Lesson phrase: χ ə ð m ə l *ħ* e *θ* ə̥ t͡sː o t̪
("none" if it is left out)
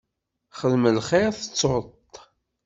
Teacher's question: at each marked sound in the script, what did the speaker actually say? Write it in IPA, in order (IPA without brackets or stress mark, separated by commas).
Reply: χ, θ